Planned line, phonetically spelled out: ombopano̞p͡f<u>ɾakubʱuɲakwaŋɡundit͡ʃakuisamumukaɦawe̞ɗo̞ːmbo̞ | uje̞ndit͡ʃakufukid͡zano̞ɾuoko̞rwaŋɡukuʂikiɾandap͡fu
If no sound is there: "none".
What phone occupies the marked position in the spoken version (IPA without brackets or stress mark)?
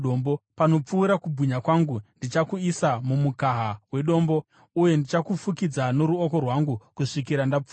uː